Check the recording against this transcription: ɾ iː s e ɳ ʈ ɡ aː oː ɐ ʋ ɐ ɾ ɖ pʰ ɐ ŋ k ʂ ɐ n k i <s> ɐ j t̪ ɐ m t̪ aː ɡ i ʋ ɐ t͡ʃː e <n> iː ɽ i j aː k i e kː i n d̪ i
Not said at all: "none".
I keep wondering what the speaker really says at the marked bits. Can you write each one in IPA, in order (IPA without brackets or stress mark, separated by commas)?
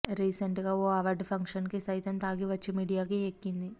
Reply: s, m